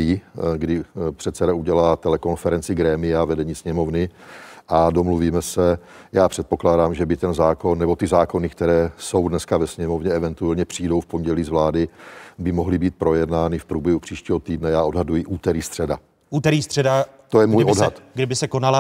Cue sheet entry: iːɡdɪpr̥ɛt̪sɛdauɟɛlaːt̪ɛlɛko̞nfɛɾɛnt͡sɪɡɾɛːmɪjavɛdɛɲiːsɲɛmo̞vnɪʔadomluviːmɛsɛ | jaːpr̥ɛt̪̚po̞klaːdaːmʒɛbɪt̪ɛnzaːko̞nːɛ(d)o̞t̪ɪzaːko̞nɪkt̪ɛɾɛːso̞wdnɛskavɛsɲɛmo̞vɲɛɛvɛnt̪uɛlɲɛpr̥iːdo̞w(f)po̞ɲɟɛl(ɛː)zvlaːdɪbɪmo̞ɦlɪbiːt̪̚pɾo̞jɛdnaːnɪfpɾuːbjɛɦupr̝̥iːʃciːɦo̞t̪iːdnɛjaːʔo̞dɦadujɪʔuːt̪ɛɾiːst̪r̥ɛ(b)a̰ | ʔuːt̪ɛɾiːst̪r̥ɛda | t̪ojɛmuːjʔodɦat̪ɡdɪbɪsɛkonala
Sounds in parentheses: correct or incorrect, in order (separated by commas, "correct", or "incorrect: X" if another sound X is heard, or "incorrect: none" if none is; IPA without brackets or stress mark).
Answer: incorrect: b, correct, incorrect: iː, incorrect: d